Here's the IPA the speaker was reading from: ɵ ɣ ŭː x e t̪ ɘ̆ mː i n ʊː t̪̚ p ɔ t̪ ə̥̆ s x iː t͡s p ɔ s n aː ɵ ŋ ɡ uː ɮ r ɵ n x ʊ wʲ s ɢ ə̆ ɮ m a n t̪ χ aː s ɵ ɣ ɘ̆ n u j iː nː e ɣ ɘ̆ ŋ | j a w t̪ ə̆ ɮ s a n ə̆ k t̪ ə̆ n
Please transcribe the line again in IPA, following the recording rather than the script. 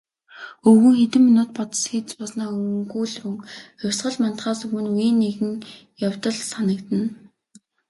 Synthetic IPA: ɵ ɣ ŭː x e t̪ ɘ̆ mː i n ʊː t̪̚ p ɔ t̪ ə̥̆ s x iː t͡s p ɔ s n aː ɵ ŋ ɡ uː ɮ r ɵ ŋ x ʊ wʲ s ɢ ə̆ ɮ m a n t̪ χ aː s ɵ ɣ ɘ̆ n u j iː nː e ɣ ɘ̆ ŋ | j a w t̪ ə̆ ɮ s a n ə̆ k t̪ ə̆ n